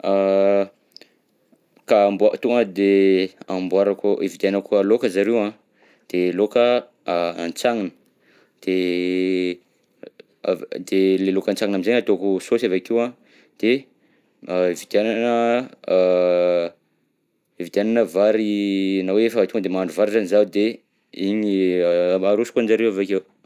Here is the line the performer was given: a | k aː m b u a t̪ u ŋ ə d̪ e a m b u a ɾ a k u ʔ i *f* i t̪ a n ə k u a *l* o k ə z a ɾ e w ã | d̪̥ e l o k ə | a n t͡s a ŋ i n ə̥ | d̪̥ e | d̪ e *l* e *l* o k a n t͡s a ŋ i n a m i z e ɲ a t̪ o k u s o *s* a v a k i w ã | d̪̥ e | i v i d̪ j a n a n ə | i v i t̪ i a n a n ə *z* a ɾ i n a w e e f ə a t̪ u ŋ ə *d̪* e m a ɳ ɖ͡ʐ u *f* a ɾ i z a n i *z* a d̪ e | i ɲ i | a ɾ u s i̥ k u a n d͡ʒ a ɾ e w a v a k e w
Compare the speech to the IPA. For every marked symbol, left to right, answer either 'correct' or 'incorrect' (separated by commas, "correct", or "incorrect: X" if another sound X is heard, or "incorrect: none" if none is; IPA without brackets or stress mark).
incorrect: v, correct, correct, correct, correct, incorrect: v, correct, incorrect: v, correct